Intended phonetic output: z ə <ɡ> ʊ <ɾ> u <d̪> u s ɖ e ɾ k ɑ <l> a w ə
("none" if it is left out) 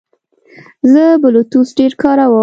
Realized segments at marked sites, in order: b, l, t̪, ɾ

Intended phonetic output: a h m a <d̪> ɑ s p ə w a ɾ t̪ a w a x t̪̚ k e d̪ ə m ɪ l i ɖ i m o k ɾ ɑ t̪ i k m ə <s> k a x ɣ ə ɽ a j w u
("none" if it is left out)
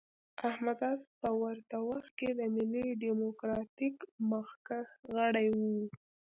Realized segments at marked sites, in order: d̪, x

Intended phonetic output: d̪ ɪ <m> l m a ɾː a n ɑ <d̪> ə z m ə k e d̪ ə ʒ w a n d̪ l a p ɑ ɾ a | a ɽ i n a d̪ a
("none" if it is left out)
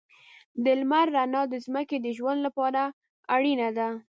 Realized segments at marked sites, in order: none, d̪

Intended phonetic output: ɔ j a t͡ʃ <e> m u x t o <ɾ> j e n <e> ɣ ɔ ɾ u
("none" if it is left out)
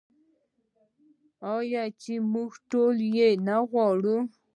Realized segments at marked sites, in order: i, l, a

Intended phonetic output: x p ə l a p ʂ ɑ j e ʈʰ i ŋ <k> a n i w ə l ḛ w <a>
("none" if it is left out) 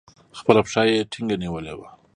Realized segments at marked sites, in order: ɡ, a

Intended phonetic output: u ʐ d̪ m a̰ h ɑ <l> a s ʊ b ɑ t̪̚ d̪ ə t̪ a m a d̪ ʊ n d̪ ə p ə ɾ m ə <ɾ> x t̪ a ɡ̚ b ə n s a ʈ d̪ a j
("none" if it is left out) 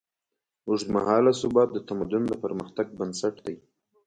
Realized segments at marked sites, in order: l, none

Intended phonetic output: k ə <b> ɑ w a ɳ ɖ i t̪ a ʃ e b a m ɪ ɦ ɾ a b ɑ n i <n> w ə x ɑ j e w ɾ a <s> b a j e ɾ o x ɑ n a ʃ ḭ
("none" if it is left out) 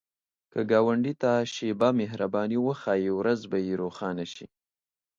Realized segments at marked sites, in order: ɡ, none, z

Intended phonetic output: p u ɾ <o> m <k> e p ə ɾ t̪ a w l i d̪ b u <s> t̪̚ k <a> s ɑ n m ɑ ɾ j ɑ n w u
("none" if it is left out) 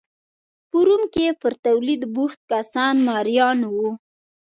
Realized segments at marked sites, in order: u, k, x, a

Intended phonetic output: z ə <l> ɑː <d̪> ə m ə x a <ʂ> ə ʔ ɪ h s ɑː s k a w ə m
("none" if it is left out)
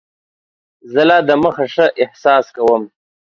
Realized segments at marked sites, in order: l, d̪, ʂ

